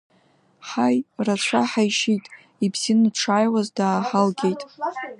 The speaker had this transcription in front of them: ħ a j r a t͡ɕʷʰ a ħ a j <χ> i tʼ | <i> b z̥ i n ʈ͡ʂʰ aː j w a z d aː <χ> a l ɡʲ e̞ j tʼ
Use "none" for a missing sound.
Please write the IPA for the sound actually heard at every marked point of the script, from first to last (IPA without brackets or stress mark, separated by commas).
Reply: ʃ, i, ħ